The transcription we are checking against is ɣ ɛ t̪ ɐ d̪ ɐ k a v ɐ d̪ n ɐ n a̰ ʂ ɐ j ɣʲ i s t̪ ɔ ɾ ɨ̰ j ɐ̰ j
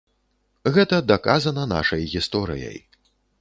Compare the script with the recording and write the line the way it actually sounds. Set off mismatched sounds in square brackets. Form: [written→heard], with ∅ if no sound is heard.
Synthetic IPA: ɣ ɛ t̪ ɐ d̪ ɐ k a [v→z] ɐ [d̪→∅] n ɐ n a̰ ʂ ɐ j ɣʲ i s t̪ ɔ ɾ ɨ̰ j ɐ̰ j